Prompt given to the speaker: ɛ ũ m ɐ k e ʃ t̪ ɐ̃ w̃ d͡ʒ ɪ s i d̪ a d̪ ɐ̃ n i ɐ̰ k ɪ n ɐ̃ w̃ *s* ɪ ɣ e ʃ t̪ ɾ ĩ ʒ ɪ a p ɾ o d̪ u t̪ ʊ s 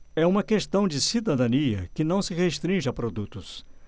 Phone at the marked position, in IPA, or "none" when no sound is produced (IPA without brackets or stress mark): s